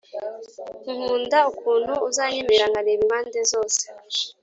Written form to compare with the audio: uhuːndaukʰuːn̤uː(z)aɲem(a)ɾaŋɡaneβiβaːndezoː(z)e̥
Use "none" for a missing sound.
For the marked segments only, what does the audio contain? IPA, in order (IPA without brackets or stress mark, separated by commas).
z, e, s